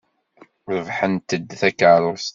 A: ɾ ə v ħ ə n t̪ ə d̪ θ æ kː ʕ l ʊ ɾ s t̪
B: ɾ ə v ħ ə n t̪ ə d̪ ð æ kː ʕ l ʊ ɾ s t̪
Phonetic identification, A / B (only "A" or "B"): A